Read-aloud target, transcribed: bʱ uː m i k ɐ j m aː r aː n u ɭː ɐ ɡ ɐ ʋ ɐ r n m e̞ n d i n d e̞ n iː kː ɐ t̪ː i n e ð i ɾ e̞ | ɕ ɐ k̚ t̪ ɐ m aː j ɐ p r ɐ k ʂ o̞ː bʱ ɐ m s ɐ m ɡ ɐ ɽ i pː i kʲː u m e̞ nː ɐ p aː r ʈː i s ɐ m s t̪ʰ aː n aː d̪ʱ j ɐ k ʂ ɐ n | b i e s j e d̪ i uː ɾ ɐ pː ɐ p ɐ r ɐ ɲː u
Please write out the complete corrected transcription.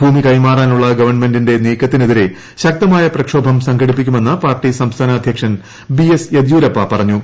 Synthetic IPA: bʱ uː m i k ɐ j m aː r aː n u ɭː ɐ ɡ ɐ ʋ ɐ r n m e̞ n d i n d e̞ n iː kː ɐ t̪ː i n e ð i ɾ e̞ | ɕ ɐ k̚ t̪ ɐ m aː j ɐ p r ɐ k ʂ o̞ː bʱ ɐ m s ɐ ŋ ɡ ɐ ɽ i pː i kʲː u m e̞ nː ɐ p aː r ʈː i s ɐ m s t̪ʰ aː n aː d̪ʱ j ɐ k ʂ ɐ n | b i e s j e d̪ j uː ɾ ɐ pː ɐ p ɐ r ɐ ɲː u